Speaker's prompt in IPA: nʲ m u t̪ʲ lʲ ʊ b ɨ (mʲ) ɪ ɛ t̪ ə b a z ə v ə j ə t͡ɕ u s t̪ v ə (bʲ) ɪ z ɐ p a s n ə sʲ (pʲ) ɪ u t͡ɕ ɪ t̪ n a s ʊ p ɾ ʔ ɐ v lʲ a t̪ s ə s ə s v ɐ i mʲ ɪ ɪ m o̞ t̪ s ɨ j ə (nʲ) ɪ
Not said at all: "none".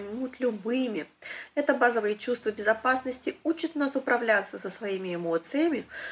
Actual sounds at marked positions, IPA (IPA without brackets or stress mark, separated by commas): mʲ, bʲ, tʲ, mʲ